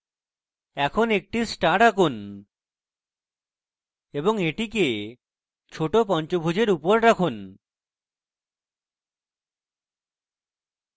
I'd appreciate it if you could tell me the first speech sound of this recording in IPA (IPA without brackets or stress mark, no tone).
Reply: ɛ